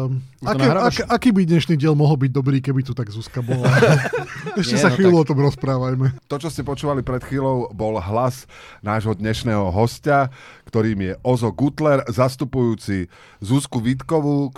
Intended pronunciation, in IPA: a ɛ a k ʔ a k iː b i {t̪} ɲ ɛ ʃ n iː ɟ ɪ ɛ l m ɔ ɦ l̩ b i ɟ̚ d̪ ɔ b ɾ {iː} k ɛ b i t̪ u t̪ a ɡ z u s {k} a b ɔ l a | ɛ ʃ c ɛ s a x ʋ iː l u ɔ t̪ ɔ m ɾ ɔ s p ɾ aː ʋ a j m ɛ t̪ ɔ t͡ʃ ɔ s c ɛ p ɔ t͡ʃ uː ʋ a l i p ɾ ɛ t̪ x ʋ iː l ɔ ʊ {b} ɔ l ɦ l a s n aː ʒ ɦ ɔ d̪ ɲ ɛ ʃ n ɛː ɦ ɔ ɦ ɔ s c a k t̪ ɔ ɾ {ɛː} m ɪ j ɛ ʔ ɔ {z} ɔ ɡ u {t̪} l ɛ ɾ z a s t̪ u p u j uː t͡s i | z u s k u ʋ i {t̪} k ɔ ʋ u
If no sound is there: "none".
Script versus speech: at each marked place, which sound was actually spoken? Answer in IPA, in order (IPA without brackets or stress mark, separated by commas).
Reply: d̪, iː, k, b, iː, z, t̪, t̪